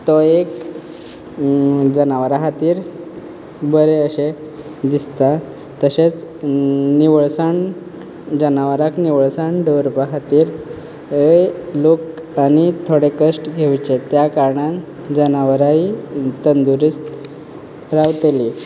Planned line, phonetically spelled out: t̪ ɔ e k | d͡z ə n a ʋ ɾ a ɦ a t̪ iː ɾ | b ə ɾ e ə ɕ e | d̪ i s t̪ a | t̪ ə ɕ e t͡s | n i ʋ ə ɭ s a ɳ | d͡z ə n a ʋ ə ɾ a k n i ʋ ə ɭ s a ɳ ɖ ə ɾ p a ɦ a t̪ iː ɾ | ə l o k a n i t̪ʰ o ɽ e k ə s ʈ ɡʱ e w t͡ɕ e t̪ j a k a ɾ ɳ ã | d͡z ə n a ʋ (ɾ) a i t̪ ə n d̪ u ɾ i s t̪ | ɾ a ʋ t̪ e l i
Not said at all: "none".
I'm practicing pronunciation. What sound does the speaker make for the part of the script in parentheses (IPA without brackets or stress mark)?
ɾ